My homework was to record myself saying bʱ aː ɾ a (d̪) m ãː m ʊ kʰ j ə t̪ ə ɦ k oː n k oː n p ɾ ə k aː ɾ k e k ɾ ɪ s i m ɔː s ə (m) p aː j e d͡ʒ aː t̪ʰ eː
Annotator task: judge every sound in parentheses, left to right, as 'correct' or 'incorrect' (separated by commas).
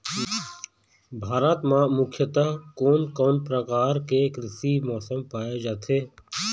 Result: incorrect, correct